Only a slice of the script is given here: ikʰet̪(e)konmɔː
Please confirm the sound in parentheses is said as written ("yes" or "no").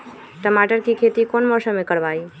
no